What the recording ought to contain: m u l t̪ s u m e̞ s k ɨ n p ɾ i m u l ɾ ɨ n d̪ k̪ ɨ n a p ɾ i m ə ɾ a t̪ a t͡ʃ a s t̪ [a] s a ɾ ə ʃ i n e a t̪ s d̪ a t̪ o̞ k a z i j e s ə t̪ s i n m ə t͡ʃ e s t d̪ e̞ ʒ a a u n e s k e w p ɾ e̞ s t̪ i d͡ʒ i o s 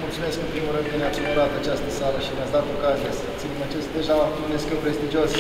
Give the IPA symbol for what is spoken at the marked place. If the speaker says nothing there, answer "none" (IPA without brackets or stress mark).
ə